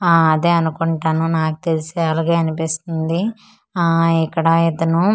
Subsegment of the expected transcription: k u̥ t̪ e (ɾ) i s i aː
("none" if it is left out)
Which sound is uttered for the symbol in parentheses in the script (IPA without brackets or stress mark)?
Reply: l